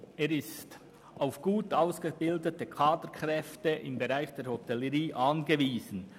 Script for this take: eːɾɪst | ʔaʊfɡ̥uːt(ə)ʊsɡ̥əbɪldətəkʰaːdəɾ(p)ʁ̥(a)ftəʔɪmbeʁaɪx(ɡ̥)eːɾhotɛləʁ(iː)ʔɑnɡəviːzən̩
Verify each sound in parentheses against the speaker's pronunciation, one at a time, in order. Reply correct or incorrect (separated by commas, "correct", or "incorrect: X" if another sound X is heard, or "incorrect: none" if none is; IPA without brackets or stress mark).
incorrect: a, incorrect: k, incorrect: ɛ, incorrect: d̥, correct